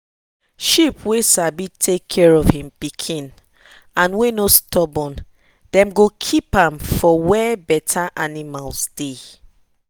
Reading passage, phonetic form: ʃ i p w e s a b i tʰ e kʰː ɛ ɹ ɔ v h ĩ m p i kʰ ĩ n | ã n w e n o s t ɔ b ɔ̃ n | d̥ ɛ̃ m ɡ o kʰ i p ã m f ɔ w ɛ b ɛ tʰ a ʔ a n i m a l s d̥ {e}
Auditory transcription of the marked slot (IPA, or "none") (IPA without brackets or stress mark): e